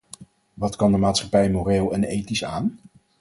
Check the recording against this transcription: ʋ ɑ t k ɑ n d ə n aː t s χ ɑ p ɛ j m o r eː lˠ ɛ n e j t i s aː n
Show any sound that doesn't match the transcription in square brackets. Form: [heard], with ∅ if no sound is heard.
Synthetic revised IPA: ʋ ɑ t k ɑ n d ə [m] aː t s χ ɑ p ɛ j m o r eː lˠ ɛ n e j t i s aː n